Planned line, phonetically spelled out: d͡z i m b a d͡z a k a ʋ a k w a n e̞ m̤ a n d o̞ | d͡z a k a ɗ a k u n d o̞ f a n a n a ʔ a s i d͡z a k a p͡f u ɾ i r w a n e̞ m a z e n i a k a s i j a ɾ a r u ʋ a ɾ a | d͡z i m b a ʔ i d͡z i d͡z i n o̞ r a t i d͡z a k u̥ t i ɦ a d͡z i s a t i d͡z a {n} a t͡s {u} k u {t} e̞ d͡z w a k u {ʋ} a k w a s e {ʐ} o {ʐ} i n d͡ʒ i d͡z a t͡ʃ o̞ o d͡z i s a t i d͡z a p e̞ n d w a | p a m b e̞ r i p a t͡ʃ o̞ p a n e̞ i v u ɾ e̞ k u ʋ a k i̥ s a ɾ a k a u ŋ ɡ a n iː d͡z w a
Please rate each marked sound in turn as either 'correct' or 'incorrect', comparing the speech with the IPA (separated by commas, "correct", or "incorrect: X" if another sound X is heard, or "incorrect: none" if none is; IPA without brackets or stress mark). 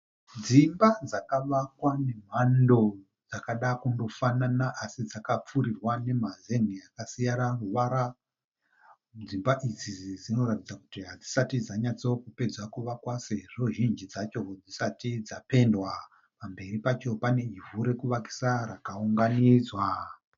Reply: incorrect: ɲ, incorrect: o, incorrect: p, correct, correct, incorrect: ʒ